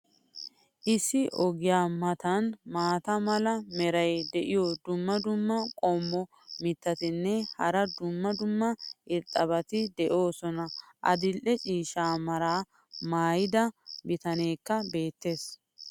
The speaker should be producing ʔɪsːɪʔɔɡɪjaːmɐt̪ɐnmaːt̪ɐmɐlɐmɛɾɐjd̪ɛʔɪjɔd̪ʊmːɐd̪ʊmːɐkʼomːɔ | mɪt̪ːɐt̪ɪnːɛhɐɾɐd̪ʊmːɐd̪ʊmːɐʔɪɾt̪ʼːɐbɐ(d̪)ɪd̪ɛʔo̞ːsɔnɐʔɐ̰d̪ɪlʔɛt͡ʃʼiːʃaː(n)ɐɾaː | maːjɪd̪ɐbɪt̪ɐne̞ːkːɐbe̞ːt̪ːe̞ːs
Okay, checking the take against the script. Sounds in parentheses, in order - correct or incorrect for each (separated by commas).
incorrect, incorrect